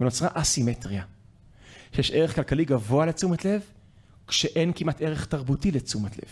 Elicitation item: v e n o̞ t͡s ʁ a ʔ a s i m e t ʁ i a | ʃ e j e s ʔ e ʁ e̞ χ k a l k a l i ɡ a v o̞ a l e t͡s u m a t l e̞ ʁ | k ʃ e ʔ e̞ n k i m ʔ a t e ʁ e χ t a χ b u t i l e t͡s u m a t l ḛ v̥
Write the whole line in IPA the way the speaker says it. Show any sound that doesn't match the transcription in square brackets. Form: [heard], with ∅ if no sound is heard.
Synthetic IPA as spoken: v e n o̞ t͡s ʁ a ʔ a s i m e t ʁ i a | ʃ e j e [ʃ] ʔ e ʁ e̞ χ k a l k a l i ɡ a v o̞ a l e t͡s u m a t l e̞ [v] | k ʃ e ʔ e̞ n k i m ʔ a t e ʁ e χ t a [ʁ] b u t i l e t͡s u m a t l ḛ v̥